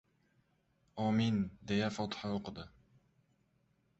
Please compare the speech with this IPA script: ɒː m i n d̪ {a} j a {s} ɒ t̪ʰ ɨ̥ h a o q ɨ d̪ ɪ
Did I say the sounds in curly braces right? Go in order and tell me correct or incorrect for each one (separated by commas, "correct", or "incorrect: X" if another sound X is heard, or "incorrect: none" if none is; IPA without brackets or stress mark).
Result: incorrect: e, incorrect: f